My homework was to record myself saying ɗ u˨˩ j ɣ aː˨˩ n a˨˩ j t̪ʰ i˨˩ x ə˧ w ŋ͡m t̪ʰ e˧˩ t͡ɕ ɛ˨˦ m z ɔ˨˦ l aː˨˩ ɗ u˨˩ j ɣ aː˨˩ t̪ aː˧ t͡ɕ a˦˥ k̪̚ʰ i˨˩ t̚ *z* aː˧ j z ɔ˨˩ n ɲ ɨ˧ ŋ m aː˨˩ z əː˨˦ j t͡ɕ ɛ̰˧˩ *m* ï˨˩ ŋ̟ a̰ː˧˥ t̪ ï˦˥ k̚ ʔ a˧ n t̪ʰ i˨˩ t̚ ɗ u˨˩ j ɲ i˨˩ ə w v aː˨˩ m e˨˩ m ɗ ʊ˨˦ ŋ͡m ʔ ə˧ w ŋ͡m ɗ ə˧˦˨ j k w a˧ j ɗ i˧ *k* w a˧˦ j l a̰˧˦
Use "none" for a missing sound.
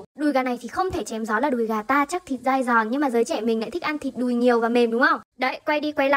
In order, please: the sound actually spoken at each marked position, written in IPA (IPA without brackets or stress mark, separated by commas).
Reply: z, m, k